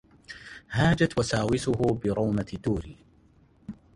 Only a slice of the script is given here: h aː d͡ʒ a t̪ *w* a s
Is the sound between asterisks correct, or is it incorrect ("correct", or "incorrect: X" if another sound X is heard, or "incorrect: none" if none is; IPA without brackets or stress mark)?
correct